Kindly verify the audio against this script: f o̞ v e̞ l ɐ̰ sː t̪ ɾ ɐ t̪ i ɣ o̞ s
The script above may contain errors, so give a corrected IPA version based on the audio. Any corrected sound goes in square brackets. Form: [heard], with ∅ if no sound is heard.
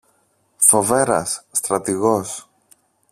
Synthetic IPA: f o̞ v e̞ [ɾ] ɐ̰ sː t̪ ɾ ɐ t̪ i ɣ o̞ s